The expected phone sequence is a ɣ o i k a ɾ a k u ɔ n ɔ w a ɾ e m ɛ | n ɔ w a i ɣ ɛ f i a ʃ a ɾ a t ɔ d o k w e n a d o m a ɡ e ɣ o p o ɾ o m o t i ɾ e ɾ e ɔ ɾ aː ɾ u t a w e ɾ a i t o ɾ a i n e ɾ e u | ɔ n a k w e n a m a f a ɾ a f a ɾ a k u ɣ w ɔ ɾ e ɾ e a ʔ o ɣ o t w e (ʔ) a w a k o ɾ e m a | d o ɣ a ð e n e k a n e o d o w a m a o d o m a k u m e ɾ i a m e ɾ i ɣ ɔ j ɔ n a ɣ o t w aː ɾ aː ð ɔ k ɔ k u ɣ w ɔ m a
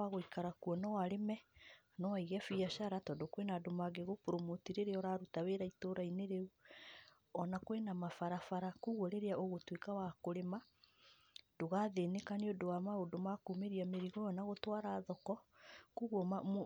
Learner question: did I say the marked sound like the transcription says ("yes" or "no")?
no